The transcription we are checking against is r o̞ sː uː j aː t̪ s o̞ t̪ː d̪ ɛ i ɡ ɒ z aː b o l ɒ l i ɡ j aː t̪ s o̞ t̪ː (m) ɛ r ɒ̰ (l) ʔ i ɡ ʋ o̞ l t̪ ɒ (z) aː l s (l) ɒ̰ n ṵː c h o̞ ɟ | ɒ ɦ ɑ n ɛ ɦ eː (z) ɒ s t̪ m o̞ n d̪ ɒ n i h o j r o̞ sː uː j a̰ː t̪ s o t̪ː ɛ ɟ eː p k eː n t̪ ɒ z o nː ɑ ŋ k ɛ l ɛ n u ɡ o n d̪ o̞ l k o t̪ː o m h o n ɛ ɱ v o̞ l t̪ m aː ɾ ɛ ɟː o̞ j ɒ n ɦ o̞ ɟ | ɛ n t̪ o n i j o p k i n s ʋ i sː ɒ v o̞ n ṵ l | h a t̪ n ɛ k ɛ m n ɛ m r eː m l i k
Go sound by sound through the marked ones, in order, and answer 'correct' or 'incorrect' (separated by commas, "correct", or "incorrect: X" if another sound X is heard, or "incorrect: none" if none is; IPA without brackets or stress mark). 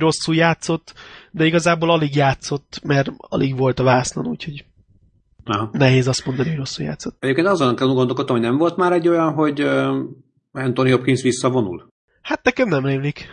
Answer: correct, correct, incorrect: v, correct, correct